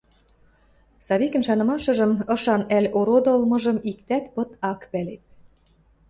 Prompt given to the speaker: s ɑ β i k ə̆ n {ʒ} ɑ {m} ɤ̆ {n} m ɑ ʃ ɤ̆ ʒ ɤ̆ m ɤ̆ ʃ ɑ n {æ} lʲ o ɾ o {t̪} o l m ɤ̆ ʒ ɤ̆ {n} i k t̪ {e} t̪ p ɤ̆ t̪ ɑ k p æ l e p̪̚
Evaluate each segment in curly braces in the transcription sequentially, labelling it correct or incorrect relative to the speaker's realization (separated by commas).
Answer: incorrect, incorrect, incorrect, correct, incorrect, incorrect, incorrect